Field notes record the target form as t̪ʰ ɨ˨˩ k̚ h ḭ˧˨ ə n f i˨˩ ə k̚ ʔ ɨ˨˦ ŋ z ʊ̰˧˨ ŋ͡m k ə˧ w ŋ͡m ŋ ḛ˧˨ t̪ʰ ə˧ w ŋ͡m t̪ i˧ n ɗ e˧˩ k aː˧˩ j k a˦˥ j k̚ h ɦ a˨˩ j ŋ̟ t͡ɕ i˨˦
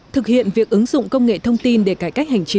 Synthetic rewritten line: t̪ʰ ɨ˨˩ k̚ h ḭ˧˨ ə n v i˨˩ ə k̚ ʔ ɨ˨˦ ŋ z ʊ̰˧˨ ŋ͡m k ə˧ w ŋ͡m ŋ ḛ˧˨ t̪ʰ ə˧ w ŋ͡m t̪ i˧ n ɗ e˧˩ k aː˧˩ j k a˦˥ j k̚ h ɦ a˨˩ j ŋ̟ t͡ɕ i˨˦